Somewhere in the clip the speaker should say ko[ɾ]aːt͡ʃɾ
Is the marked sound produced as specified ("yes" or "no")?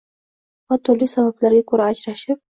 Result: yes